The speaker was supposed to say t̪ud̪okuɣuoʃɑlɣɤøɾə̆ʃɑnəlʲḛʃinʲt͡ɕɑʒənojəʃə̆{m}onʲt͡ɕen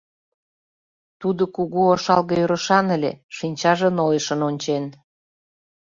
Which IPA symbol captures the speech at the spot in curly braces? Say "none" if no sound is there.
n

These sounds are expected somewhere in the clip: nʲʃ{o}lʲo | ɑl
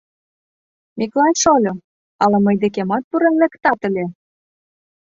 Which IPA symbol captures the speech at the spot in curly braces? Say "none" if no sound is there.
o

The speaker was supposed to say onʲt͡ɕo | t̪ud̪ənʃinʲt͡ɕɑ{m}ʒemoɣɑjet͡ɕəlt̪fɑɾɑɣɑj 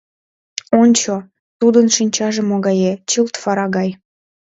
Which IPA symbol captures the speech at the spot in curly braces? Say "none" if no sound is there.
none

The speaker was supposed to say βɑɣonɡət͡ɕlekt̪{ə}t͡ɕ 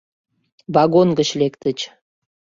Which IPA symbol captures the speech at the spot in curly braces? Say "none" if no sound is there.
ə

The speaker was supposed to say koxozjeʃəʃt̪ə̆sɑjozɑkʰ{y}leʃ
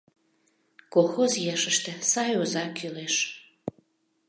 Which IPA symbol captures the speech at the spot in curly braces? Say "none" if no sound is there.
y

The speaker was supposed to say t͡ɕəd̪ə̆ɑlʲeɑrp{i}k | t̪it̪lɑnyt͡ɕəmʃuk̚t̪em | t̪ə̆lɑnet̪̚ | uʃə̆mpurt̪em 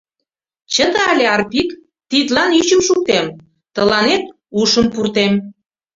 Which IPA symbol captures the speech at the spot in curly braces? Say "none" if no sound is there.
i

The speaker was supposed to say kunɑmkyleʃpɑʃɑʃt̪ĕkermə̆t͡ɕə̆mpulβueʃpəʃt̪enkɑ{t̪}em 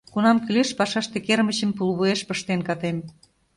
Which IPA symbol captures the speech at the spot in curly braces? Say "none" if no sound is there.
t̪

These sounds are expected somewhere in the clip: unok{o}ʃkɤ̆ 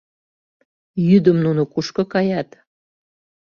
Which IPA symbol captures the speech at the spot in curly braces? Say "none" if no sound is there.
u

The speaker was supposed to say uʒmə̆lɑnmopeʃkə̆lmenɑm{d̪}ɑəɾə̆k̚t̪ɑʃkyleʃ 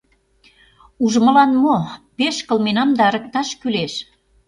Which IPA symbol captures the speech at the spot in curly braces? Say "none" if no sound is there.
d̪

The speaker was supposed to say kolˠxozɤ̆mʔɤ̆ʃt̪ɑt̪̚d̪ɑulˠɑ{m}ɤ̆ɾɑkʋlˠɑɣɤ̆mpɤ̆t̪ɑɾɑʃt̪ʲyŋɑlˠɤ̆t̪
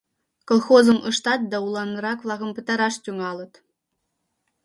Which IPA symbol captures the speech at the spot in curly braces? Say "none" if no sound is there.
n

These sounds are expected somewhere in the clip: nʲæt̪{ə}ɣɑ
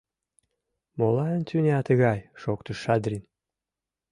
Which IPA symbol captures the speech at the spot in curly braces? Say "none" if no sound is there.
ə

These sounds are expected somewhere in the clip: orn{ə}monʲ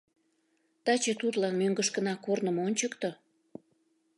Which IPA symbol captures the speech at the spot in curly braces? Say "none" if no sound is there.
ə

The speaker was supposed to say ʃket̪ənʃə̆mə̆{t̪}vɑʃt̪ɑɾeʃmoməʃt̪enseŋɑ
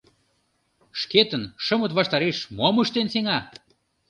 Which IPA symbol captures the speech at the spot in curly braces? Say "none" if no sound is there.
t̪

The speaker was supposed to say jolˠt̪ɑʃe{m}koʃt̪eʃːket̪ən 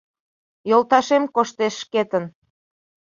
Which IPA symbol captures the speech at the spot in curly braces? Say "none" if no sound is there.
m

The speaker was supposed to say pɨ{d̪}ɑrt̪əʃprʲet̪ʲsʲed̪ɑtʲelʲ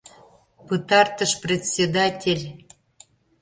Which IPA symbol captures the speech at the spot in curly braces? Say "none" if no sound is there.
t̪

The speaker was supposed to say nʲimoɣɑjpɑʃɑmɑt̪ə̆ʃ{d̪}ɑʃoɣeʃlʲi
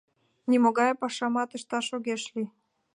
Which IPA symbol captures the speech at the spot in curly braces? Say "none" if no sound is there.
t̪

